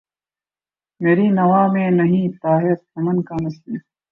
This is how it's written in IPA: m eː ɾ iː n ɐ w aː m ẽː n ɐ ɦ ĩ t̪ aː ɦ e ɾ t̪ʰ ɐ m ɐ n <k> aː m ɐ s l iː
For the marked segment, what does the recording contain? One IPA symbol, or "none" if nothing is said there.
k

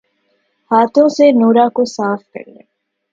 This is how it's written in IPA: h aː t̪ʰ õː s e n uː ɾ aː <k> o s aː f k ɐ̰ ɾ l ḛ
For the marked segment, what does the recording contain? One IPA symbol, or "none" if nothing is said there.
k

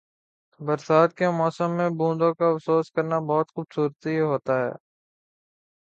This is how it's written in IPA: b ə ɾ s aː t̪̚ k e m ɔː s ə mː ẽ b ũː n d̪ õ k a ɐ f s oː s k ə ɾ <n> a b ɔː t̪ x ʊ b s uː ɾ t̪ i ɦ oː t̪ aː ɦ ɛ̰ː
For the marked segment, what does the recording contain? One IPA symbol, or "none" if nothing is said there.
n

